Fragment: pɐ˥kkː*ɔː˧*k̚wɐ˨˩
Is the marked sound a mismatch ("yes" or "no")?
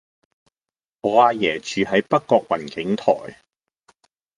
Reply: no